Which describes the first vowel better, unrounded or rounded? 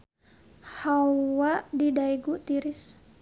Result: unrounded